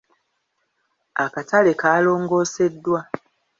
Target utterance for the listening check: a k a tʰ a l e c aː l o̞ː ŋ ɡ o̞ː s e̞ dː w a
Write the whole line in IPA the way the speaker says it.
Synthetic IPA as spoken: a k a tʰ a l e k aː l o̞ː ŋ ɡ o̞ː s e̞ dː w a